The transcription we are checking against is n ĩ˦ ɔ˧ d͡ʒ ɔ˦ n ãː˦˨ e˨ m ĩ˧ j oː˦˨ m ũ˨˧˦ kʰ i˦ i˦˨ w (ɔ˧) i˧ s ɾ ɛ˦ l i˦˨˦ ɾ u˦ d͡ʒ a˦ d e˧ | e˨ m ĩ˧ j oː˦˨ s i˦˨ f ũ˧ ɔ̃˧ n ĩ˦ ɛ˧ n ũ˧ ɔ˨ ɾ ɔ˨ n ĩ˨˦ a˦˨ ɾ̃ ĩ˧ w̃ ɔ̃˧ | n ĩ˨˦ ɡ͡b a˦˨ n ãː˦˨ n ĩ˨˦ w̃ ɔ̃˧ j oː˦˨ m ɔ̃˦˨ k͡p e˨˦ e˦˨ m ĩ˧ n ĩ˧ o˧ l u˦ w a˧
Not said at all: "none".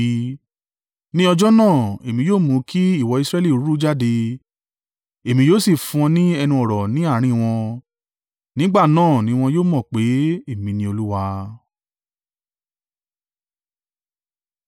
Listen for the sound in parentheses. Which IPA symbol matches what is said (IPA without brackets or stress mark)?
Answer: ɔ˧